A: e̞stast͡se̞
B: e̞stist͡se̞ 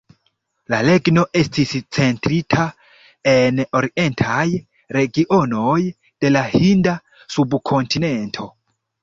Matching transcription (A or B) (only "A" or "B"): B